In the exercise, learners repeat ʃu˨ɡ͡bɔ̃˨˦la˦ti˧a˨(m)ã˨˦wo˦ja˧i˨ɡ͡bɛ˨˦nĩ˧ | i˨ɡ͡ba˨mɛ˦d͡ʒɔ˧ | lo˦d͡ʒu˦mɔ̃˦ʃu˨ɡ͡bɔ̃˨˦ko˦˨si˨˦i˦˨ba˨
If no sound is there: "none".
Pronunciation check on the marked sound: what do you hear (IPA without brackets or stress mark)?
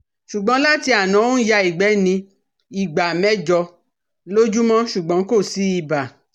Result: n